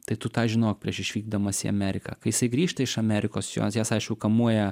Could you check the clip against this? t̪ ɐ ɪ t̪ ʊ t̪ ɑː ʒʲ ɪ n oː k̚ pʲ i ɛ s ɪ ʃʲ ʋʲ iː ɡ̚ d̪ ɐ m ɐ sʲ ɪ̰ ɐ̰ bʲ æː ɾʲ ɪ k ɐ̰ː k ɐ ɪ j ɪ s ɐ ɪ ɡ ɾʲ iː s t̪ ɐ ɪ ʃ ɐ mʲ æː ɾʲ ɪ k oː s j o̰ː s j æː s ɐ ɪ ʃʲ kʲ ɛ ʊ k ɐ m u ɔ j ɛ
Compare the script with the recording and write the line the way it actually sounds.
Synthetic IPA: t̪ ɐ ɪ t̪ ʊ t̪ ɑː ʒʲ ɪ n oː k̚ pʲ i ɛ ʃ ɪ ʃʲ ʋʲ iː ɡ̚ d̪ ɐ m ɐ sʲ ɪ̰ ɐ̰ mʲ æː ɾʲ ɪ k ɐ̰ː k ɐ ɪ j ɪ s ɐ ɪ ɡ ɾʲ iː ʃ t̪ ɐ ɪ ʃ ɐ mʲ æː ɾʲ ɪ k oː s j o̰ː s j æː s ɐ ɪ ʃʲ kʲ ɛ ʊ k ɐ m u ɔ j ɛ